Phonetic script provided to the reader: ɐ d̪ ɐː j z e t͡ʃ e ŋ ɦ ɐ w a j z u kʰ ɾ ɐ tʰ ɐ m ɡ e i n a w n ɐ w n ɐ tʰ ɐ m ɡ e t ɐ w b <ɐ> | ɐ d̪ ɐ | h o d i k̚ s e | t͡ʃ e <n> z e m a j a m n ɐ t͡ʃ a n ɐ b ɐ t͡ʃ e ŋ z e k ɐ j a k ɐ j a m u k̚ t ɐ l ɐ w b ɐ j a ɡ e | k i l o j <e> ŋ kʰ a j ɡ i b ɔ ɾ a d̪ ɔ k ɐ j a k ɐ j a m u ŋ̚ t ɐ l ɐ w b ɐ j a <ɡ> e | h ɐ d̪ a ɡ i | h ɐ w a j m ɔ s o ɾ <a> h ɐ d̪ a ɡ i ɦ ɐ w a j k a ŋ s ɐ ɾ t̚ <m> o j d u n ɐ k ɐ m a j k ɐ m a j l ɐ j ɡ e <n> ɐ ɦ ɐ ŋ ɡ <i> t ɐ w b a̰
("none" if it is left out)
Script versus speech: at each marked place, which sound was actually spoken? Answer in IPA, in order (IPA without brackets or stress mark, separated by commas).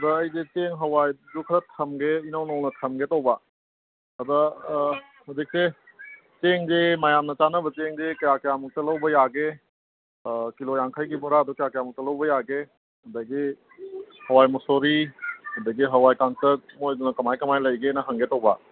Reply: a, ŋ, a, ɡ, i, m, n, e